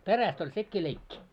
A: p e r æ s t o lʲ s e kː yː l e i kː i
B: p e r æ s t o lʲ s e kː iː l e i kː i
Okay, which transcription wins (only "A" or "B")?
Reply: B